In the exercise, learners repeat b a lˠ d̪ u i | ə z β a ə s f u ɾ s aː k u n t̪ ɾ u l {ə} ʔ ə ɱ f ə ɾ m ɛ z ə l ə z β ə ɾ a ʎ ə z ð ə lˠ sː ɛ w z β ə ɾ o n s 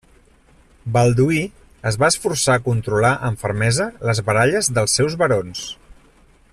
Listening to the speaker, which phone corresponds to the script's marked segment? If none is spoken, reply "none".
a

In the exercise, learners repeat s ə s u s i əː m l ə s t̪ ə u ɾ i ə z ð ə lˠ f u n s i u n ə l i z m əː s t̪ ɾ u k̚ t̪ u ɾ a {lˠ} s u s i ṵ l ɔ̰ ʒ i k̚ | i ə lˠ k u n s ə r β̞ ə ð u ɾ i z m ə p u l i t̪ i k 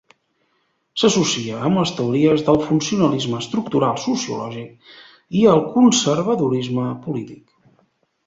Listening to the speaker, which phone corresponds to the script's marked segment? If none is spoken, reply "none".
lˠ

